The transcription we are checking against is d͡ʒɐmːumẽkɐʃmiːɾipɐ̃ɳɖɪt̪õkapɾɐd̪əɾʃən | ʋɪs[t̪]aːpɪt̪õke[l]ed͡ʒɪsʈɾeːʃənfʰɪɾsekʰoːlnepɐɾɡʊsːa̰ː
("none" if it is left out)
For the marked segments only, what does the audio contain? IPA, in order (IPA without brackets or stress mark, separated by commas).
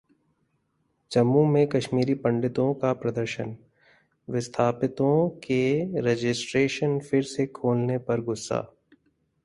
t̪ʰ, ɾ